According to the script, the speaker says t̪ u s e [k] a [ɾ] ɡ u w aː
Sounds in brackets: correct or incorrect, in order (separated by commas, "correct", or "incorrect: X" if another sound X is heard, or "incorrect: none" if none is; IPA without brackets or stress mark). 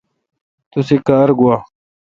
correct, correct